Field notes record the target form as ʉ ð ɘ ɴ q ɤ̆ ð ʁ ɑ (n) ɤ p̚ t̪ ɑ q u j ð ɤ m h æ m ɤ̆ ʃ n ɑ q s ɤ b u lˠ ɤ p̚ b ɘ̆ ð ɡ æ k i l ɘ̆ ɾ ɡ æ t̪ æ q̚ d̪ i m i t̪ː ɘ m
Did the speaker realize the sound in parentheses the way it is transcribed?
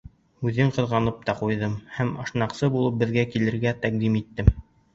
yes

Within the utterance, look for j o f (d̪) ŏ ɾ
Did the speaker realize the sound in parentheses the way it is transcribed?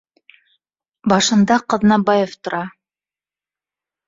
no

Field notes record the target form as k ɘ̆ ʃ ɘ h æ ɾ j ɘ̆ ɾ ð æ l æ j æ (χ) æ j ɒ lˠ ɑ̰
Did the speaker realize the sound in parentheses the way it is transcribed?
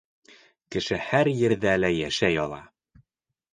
no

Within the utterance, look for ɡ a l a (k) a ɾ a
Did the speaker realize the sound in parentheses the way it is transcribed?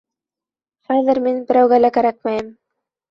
yes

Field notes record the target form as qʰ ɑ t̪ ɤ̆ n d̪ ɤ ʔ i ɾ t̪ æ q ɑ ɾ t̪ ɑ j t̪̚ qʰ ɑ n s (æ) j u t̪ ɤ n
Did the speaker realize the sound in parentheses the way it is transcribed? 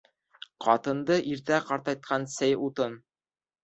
yes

